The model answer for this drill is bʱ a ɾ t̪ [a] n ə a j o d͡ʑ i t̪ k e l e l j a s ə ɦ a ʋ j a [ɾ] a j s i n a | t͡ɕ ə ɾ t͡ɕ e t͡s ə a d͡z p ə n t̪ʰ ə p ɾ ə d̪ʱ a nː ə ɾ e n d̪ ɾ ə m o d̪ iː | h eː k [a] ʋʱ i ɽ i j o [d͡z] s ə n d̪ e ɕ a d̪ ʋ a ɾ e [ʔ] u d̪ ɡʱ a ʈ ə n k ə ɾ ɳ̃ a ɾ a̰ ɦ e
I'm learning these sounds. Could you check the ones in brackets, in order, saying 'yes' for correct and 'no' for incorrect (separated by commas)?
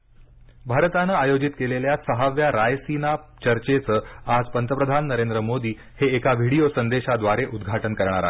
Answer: yes, yes, yes, no, yes